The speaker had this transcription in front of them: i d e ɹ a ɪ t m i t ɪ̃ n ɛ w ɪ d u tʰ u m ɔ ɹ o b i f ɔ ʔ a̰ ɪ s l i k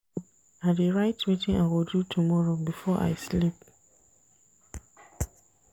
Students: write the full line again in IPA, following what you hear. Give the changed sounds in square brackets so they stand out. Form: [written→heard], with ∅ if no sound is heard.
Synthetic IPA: [i→a] d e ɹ a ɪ t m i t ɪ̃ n [ɛ→a] w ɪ d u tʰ u m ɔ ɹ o b i f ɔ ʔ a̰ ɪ s l i [k→p]